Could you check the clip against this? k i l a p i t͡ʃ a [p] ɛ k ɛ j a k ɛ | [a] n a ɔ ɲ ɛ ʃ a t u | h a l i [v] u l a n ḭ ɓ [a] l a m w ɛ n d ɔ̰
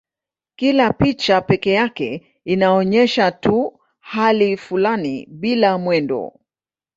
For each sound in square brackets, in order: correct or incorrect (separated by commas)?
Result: correct, incorrect, incorrect, incorrect